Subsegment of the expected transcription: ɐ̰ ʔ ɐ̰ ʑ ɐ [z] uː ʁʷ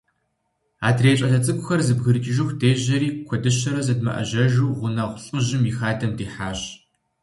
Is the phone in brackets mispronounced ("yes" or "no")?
yes